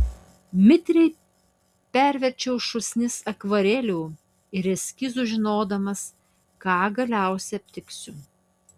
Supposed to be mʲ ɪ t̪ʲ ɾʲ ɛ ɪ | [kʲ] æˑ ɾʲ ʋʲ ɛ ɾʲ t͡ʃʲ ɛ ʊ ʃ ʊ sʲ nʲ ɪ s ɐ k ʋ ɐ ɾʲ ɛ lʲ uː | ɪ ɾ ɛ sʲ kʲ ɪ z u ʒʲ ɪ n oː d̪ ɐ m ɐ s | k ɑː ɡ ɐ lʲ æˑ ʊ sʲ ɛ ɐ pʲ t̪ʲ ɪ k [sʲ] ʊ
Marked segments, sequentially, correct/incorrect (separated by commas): incorrect, correct